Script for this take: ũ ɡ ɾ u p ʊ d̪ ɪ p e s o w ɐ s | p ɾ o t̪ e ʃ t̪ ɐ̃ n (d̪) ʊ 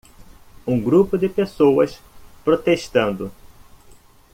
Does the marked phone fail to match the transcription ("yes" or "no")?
no